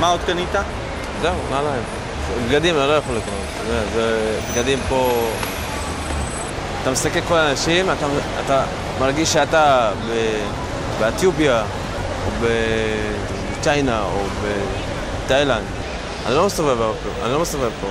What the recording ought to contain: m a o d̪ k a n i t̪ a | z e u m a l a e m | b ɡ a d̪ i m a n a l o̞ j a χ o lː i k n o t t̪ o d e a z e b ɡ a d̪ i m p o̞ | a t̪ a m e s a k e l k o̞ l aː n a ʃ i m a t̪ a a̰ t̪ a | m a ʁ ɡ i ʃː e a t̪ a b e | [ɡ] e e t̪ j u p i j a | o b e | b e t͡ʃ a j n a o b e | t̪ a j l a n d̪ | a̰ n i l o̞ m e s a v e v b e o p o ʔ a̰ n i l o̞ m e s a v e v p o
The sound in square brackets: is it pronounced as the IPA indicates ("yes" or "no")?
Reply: no